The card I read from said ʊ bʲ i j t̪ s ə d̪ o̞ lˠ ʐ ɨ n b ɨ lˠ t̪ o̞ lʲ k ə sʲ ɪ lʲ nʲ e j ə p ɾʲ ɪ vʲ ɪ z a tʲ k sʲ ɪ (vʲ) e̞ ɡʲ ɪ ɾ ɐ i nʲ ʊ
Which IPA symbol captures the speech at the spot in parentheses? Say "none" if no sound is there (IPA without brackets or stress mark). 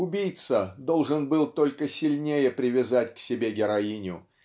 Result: bʲ